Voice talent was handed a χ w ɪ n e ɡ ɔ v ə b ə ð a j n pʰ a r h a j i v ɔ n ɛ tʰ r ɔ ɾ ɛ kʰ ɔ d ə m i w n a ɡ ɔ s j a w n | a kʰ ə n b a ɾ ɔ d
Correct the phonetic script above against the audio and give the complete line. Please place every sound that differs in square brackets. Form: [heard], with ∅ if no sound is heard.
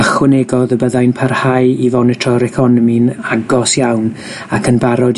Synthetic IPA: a χ w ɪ n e ɡ ɔ [ð] ə b ə ð a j n pʰ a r h a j i v ɔ n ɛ tʰ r ɔ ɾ ɛ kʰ ɔ [n] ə m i [∅] n a ɡ ɔ s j a w n | a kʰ ə n b a ɾ ɔ d